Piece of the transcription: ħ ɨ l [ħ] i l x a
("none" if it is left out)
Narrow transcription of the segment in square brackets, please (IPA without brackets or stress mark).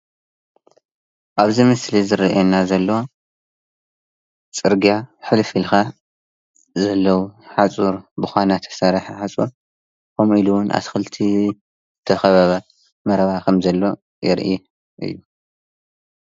f